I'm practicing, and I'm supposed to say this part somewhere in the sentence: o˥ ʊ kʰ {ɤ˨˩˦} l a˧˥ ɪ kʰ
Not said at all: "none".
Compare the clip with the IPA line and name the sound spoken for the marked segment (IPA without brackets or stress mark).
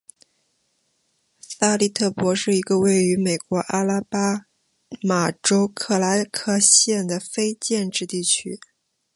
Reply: ɤ˥˩